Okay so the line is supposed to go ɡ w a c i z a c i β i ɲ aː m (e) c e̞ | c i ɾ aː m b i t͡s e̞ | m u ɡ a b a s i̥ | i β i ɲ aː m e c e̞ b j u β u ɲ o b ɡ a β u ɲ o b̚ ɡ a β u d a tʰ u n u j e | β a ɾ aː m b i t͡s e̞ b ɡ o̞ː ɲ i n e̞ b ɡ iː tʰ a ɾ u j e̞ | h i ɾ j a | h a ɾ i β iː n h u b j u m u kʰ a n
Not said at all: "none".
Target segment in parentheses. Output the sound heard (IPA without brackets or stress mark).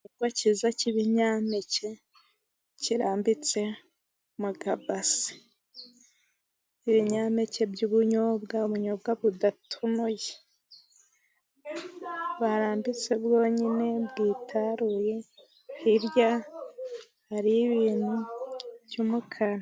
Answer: e